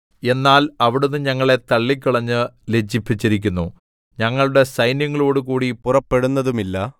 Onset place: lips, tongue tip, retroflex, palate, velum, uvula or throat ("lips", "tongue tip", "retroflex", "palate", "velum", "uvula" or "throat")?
tongue tip